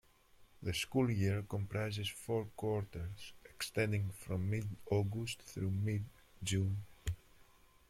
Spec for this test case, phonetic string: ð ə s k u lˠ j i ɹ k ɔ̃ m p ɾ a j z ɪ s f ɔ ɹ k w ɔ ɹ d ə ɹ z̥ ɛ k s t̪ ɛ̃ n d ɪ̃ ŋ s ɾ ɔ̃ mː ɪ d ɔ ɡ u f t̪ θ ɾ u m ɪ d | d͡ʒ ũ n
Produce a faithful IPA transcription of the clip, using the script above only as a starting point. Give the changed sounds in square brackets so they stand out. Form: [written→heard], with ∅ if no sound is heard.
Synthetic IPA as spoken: ð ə s k u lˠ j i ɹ k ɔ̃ m p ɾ a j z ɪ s f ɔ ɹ k w ɔ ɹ [d→t] ə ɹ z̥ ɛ k s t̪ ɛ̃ n d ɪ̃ ŋ [s→f] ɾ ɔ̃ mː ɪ d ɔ ɡ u [f→s] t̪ θ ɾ u m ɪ d | d͡ʒ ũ n

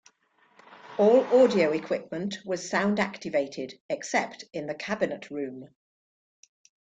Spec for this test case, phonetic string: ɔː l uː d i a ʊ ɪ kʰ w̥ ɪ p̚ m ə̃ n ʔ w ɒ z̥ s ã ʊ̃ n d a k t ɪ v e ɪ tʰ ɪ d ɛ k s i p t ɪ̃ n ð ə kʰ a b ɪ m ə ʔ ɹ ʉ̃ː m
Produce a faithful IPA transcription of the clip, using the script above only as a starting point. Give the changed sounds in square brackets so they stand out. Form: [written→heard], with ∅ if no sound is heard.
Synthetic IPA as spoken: ɔː l [uː→ɔː] d i [a→ə] ʊ ɪ kʰ w̥ ɪ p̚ m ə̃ n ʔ w ɒ z̥ s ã ʊ̃ n d a k t ɪ v e ɪ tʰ ɪ d ɛ k s [i→ɛ] p t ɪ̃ n ð ə kʰ a b ɪ [m→n] ə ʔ ɹ ʉ̃ː m

